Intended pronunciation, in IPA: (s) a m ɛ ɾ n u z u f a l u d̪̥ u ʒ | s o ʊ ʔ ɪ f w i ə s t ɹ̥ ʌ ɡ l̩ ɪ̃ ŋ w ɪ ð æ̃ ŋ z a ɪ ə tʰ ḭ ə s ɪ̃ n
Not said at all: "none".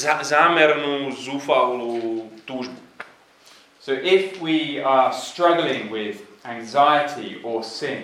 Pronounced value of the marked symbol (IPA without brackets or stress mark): z